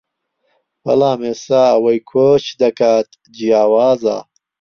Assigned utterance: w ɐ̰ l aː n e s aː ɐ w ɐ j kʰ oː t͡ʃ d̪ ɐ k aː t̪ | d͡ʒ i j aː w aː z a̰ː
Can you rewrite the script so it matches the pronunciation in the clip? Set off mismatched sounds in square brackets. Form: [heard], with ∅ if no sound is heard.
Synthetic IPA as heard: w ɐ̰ l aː [m] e s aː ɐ w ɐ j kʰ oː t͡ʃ d̪ ɐ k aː t̪ | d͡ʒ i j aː w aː z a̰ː